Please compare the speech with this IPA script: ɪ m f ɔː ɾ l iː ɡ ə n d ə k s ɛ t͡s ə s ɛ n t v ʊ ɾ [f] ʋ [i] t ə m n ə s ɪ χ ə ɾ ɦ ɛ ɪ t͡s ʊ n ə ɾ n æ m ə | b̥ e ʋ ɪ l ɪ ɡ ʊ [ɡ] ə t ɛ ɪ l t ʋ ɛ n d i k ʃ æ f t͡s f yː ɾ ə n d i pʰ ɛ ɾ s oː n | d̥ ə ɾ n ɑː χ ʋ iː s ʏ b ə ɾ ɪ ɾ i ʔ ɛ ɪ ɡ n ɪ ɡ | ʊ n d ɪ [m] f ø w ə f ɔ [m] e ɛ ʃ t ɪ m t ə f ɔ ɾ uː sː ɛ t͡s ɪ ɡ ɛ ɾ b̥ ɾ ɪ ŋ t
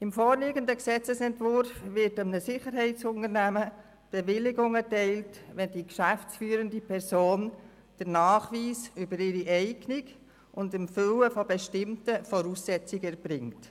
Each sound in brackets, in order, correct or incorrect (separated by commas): correct, incorrect, incorrect, correct, incorrect